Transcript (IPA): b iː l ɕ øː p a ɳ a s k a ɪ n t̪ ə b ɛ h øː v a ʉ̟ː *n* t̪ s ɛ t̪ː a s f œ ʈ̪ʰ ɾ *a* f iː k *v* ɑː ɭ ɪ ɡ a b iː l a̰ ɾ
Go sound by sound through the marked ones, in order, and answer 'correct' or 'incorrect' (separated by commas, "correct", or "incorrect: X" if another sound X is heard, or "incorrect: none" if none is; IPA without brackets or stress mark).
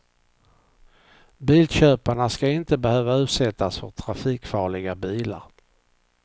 incorrect: none, correct, incorrect: f